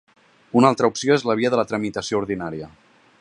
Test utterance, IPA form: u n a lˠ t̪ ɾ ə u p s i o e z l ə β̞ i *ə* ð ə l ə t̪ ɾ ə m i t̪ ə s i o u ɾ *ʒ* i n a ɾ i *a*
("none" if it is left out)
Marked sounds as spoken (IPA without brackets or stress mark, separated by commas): ə, ð, ə